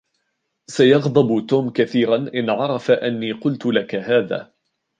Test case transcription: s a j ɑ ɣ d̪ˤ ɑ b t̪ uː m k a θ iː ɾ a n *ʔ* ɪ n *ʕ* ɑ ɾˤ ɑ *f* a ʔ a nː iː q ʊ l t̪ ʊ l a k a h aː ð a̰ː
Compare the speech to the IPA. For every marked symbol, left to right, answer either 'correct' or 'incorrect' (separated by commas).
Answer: correct, correct, correct